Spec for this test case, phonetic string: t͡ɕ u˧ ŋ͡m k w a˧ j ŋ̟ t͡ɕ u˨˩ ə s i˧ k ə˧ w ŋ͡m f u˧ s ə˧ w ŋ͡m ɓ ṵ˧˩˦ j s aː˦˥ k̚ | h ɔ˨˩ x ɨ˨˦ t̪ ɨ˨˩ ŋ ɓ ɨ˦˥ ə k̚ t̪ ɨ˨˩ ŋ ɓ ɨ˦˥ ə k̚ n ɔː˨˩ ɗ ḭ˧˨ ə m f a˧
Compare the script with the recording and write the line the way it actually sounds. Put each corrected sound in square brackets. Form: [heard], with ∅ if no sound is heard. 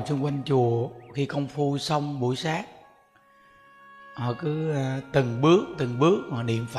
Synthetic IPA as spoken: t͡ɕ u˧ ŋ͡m k w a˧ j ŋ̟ t͡ɕ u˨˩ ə [x] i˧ k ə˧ w ŋ͡m f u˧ s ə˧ w ŋ͡m ɓ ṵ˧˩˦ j s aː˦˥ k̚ | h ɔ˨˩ [k] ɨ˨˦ t̪ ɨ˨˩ ŋ ɓ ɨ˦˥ ə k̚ t̪ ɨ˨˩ ŋ ɓ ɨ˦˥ ə k̚ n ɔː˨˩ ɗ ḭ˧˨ ə m f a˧